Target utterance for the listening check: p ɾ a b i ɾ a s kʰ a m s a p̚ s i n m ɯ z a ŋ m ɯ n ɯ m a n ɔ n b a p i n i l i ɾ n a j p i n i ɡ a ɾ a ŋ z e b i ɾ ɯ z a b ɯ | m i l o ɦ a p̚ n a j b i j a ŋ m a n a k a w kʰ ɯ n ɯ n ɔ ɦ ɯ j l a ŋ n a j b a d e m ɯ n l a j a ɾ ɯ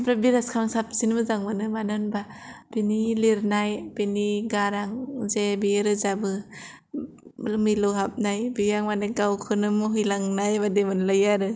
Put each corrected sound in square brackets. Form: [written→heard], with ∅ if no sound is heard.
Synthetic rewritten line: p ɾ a b i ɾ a s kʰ a [m→ŋ] s a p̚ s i n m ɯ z a ŋ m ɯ n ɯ m a n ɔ n b a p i n i l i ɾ n a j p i n i ɡ a ɾ a ŋ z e b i ɾ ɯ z a b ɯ | m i l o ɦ a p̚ n a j b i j a ŋ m a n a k a w kʰ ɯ n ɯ [n→m] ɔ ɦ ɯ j l a ŋ n a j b a d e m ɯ n l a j a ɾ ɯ